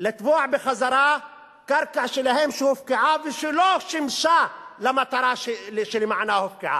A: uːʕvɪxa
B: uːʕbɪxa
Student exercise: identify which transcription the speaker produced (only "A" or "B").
B